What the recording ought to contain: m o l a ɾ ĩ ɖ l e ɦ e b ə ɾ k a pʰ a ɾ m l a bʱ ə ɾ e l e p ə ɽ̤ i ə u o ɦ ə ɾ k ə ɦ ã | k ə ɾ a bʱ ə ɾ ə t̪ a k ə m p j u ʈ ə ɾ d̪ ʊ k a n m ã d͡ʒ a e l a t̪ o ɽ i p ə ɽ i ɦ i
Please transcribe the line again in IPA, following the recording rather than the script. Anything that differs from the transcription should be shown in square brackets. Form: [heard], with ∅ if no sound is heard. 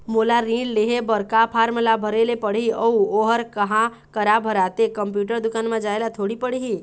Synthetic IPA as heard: m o l a ɾ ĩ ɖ l e ɦ e b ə ɾ k a pʰ a ɾ m l a bʱ ə ɾ e l e p ə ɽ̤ i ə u o ɦ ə ɾ k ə ɦ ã | k ə ɾ a bʱ ə ɾ [a] t̪ [e] k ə m p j u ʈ ə ɾ d̪ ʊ k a n m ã d͡ʒ a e l a [t̪ʰ] o ɽ i p ə ɽ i ɦ i